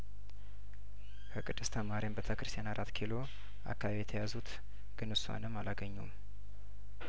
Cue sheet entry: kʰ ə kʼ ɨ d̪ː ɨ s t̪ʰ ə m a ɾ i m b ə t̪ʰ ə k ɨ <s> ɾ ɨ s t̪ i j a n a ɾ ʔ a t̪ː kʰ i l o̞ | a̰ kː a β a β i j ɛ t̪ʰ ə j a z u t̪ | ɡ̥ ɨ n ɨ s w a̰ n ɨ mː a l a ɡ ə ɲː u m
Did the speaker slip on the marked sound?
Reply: yes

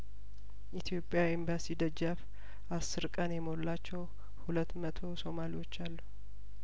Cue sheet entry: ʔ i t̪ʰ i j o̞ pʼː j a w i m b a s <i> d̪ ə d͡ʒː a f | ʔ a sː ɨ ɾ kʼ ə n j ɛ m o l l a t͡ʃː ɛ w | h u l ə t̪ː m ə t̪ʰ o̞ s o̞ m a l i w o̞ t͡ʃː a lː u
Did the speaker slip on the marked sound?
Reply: no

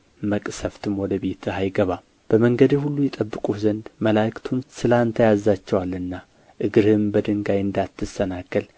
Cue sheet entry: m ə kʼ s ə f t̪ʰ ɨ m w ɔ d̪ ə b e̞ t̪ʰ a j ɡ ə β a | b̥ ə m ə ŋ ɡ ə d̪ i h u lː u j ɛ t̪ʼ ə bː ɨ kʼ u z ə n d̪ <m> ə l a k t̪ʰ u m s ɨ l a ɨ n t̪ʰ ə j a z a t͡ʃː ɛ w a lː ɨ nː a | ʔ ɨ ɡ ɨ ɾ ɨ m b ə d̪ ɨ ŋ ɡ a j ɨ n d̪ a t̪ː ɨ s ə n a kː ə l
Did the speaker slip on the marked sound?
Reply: no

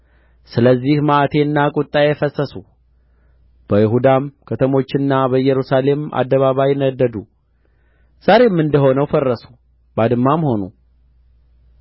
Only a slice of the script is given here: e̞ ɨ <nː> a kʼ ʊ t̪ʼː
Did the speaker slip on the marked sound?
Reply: no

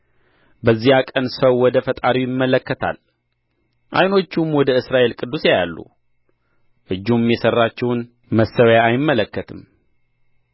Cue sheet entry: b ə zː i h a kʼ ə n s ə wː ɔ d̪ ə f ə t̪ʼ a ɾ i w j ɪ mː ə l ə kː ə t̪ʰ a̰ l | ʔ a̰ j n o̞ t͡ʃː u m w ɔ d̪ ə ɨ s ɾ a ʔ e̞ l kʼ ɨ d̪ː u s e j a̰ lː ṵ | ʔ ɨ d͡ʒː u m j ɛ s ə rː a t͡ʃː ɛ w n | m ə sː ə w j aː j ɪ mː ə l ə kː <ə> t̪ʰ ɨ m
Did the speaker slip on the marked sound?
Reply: no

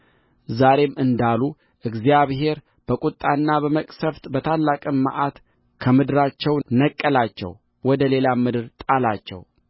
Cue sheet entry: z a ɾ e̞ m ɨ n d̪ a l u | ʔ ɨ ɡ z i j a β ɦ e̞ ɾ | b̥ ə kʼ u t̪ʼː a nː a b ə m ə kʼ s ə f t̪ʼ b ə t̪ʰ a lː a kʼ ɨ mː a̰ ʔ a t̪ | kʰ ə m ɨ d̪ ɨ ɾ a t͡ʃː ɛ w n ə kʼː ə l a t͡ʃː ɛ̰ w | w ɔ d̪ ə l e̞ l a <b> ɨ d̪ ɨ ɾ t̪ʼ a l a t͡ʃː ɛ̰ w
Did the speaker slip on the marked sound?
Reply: yes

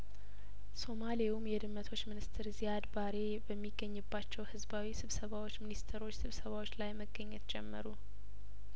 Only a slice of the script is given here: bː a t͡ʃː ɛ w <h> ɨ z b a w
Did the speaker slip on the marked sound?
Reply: no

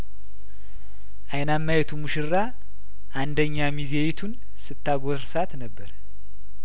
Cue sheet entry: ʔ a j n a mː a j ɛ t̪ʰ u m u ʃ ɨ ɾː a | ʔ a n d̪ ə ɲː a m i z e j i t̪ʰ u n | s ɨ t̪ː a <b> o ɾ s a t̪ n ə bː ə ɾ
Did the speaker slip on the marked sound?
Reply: yes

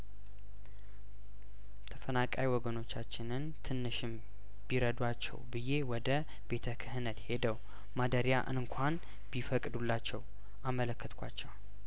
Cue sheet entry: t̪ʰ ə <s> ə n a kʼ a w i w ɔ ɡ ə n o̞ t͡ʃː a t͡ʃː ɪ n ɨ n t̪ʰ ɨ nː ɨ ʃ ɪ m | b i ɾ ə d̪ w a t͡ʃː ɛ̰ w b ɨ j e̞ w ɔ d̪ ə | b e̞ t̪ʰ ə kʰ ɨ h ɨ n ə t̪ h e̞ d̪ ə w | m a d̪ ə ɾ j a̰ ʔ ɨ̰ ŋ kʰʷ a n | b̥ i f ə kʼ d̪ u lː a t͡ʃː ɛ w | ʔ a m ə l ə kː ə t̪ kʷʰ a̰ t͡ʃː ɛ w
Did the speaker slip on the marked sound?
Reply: yes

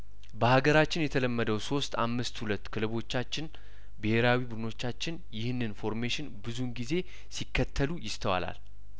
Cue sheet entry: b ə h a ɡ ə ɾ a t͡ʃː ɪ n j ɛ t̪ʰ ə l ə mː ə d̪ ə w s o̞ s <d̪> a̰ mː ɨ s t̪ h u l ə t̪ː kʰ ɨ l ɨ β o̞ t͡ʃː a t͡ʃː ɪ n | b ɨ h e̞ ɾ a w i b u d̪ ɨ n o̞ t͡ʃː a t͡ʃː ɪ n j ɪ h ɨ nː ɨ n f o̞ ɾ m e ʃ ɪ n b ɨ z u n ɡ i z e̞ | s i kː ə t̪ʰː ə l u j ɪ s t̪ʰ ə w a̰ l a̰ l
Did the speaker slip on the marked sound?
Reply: yes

